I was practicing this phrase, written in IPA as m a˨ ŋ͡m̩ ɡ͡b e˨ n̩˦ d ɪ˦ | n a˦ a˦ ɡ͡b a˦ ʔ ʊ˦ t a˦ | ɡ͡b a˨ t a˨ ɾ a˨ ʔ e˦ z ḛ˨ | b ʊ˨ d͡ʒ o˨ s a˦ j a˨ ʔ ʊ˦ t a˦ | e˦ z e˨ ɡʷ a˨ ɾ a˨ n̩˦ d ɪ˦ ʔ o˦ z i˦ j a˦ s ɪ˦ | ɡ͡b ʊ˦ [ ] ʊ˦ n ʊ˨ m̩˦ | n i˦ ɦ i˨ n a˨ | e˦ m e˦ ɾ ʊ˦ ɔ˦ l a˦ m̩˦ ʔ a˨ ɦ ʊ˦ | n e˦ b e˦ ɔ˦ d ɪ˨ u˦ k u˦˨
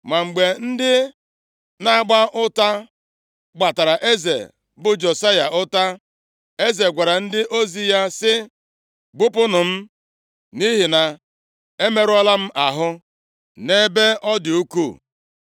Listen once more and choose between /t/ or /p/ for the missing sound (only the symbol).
p